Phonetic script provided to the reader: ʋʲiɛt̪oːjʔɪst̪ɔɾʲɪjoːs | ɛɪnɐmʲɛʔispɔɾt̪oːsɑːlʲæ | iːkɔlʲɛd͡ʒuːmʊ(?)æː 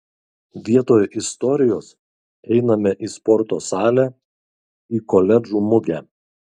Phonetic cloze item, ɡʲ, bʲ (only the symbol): ɡʲ